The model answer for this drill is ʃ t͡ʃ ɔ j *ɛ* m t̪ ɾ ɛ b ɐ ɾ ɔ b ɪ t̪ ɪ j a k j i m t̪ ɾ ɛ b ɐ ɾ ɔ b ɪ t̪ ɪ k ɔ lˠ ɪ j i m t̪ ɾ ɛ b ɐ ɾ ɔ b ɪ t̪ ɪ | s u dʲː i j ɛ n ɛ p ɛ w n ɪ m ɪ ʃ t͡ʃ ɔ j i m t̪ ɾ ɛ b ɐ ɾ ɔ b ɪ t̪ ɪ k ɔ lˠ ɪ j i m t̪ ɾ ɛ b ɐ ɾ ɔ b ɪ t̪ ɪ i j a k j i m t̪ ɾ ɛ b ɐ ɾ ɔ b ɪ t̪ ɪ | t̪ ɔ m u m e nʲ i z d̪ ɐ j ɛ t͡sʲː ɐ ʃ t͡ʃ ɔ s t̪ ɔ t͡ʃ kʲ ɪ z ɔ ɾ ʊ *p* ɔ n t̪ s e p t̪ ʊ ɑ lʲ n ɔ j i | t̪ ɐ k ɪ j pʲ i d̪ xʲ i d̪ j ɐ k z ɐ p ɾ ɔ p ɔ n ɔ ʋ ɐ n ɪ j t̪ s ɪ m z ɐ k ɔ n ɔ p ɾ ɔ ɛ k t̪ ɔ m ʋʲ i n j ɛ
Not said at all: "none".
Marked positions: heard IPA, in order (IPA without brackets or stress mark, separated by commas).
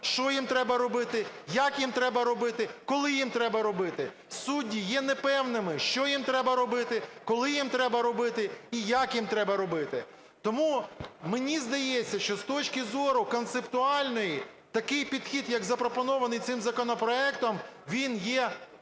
i, k